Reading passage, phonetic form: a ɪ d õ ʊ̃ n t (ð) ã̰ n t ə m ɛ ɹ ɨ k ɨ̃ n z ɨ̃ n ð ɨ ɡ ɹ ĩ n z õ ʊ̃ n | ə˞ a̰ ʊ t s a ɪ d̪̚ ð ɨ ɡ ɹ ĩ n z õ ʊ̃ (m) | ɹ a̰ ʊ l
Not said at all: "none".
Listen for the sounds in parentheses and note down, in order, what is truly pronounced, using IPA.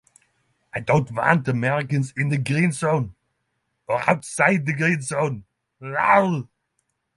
v, n

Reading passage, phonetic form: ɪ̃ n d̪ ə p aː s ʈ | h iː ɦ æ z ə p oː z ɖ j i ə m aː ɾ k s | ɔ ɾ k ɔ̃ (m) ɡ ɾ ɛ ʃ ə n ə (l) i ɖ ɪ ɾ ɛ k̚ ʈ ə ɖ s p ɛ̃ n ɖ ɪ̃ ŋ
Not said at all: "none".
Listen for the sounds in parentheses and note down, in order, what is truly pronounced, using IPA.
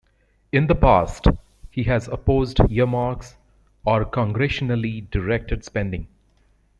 ŋ, l

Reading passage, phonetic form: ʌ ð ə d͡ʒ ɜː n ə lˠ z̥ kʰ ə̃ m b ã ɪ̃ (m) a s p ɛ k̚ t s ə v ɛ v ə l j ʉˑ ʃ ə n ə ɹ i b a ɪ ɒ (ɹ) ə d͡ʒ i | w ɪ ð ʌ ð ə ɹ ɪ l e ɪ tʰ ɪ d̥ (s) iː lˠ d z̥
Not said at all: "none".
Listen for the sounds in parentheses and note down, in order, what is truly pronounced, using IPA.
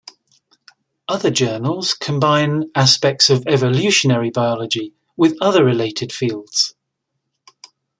n, l, f

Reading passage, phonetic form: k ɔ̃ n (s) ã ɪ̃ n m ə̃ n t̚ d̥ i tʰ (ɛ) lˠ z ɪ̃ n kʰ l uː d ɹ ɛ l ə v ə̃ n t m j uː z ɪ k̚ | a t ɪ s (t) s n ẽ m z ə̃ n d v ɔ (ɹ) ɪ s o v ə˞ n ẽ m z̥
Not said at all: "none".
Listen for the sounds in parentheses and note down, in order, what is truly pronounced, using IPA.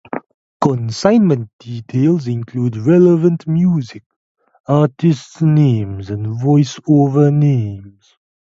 s, e, t, none

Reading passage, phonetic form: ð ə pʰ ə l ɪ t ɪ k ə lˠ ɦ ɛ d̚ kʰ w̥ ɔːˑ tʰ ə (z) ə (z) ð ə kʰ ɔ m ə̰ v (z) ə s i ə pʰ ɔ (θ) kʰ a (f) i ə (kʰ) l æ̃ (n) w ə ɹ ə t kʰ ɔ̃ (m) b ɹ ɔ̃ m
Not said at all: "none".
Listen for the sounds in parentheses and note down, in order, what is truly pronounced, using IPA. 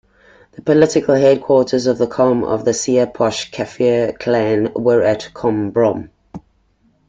z, v, ð, ʃ, f, kʰ, n, m

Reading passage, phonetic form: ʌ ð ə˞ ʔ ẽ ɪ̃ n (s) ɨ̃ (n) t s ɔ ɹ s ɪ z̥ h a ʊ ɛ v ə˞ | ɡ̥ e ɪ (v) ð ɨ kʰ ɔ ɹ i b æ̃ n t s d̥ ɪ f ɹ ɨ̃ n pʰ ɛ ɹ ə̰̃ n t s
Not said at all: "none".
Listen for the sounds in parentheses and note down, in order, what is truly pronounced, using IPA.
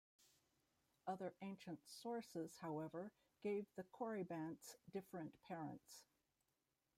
ʃ, n, v

